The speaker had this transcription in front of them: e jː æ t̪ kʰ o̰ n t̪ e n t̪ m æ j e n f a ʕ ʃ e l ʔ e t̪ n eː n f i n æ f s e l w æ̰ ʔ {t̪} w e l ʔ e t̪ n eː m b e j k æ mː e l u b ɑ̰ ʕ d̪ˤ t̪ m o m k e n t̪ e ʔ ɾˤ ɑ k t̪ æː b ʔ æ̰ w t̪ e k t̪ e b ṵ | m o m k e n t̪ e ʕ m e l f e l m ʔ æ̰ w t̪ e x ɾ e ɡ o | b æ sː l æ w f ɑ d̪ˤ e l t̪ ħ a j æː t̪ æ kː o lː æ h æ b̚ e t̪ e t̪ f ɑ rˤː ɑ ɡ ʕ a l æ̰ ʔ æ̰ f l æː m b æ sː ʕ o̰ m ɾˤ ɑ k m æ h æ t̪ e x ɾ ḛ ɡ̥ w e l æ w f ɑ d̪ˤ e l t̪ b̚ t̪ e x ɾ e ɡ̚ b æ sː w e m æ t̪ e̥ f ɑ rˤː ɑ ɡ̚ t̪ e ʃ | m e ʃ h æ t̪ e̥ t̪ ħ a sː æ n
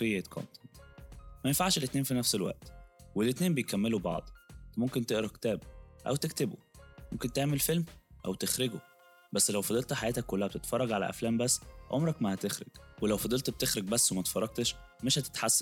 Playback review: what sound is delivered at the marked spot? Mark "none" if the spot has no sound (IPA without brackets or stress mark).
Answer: t̪